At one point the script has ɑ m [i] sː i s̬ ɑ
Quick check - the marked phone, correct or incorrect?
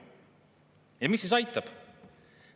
correct